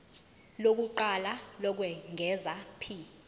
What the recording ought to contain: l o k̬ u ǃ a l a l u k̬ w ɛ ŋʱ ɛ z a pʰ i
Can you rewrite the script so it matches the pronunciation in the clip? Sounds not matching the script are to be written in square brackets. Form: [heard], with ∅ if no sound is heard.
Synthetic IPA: l o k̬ u ǃ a l a l [ɔ] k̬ w ɛ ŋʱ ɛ z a pʰ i